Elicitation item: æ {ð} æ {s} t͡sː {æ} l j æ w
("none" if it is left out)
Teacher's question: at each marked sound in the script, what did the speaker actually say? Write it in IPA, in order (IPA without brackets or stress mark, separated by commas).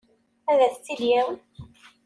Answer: ð, θ, i